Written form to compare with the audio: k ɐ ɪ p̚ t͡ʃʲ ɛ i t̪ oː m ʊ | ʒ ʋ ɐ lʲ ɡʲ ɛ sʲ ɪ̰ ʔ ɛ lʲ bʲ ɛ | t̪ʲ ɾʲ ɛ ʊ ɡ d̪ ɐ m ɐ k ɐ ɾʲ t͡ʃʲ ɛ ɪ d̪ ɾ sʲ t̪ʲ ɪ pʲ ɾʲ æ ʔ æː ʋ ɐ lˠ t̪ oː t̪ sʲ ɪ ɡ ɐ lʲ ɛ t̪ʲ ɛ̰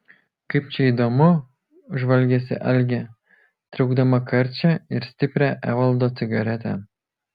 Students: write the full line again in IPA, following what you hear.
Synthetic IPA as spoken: k ɐ ɪ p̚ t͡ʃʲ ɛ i d̪ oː m ʊ | ʒ ʋ ɐ lʲ ɡʲ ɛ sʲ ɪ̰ ʔ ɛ lʲ ɡʲ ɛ | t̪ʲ ɾʲ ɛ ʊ ɡ d̪ ɐ m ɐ k ɐ ɾʲ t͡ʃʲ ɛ ɪ ɾ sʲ t̪ʲ ɪ pʲ ɾʲ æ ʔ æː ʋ ɐ lˠ d̪ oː t̪ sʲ ɪ ɡ ɐ ɾʲ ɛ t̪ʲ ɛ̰